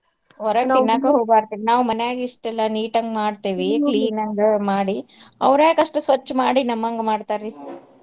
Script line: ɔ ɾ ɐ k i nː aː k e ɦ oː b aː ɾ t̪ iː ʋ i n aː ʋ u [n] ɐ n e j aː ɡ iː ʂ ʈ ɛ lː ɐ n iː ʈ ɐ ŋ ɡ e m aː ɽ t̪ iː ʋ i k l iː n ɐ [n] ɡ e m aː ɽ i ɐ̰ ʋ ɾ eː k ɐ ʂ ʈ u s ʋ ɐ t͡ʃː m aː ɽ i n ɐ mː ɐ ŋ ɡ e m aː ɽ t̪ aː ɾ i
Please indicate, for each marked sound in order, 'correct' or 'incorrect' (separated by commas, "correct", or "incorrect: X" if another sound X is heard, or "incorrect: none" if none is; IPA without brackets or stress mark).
incorrect: m, incorrect: ŋ